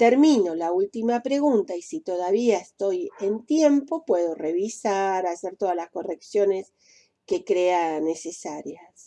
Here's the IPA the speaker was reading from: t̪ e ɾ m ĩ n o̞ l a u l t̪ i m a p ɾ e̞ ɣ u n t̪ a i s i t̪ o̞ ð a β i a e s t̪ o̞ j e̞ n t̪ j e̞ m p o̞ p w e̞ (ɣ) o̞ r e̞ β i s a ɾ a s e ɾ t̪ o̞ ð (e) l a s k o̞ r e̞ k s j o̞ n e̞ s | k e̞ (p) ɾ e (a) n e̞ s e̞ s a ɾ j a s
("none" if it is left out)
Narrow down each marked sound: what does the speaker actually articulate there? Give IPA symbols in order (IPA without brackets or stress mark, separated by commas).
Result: ð, a, k, a